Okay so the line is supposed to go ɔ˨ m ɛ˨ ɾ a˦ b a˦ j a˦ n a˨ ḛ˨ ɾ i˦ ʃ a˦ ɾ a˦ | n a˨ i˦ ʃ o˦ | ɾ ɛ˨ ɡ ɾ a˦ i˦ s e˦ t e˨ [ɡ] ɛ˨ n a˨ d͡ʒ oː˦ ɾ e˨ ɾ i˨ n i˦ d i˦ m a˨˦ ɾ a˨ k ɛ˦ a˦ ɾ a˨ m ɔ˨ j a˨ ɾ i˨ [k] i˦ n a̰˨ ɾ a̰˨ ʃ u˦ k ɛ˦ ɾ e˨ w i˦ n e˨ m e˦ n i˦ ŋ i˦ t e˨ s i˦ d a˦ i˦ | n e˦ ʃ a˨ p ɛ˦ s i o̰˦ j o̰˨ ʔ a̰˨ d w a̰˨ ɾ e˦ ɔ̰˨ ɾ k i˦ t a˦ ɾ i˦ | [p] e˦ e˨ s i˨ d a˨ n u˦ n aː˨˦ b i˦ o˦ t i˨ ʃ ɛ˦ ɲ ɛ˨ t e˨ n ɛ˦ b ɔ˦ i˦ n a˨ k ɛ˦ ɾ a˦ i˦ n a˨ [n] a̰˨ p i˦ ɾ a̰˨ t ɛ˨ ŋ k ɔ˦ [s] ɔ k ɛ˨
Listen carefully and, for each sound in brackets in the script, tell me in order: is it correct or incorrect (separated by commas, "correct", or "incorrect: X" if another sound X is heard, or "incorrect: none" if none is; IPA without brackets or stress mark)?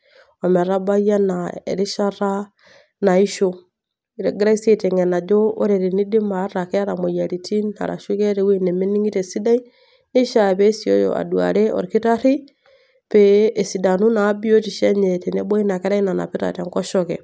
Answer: incorrect: ŋ, incorrect: t, correct, correct, incorrect: ʃ